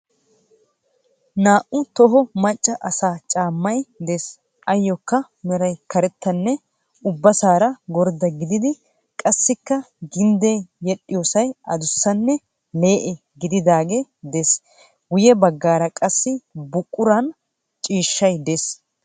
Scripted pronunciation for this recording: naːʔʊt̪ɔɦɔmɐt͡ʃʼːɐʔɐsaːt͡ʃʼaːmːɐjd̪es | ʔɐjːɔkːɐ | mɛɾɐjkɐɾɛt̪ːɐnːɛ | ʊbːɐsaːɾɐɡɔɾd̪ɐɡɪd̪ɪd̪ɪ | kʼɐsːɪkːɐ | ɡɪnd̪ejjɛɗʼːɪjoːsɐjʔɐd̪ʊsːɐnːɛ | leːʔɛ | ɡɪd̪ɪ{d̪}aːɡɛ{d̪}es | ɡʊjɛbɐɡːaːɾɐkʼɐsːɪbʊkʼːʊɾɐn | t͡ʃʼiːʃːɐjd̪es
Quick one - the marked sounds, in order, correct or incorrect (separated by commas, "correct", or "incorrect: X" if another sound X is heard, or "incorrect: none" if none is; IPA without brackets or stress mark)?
correct, correct